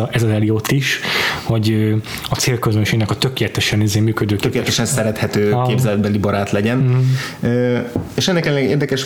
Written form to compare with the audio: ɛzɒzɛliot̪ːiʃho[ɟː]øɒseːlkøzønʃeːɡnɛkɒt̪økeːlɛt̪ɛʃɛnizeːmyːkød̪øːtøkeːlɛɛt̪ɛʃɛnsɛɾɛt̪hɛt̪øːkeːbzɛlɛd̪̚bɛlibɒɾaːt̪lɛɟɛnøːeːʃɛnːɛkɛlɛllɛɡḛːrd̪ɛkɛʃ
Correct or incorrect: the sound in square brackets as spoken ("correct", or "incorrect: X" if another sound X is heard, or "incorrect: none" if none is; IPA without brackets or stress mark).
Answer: incorrect: ɟ